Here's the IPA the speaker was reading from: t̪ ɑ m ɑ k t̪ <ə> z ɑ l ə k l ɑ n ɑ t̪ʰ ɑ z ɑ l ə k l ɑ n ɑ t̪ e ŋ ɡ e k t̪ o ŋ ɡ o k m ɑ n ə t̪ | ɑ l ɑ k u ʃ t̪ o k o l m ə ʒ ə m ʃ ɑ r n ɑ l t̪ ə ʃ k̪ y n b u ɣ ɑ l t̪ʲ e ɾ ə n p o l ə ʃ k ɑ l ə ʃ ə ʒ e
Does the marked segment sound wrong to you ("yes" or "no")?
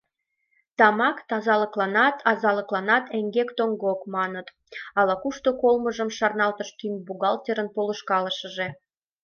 yes